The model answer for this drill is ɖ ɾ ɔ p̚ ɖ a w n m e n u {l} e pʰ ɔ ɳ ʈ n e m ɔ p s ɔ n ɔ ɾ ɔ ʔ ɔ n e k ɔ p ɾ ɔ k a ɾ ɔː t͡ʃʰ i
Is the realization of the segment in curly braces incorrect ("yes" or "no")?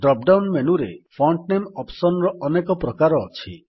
yes